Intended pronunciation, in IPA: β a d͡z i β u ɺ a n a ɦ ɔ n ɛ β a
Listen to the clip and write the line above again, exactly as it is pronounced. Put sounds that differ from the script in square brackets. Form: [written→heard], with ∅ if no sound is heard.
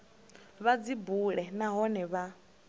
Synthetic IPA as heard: β a d͡z i [β→b] u ɺ [a→ɛ] n a ɦ ɔ n ɛ β a